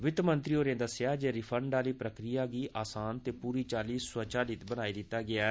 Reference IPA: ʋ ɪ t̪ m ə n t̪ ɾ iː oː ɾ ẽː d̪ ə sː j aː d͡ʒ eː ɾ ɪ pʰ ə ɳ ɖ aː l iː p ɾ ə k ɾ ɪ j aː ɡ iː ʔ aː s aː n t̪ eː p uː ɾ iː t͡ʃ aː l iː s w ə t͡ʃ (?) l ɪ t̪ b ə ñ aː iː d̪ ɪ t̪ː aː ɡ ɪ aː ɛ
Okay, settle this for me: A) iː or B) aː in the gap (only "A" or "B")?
B